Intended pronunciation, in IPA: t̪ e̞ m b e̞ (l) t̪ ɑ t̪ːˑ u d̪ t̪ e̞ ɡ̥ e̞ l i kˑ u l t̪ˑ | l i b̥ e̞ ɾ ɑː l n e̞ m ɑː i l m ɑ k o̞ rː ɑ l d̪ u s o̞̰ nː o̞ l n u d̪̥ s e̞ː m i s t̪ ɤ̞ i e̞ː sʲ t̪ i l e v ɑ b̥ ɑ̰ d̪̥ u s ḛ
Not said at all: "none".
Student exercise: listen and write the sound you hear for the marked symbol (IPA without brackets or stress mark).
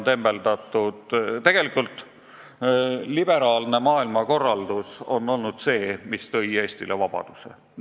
l